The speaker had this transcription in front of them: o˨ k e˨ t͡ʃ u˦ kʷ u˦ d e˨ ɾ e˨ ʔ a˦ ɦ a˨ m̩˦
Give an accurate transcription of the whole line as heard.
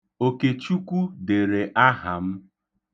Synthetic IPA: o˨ k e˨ t͡ʃ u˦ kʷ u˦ d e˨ ɾ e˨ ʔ a˦ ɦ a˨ m̩˦